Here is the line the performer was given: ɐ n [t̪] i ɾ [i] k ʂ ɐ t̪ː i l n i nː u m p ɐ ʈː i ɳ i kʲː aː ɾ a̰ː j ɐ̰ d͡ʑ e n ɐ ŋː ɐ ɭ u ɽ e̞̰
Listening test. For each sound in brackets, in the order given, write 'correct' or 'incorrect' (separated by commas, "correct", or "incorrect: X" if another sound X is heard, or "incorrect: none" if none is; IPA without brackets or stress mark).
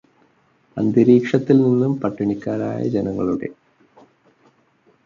incorrect: d̪, incorrect: iː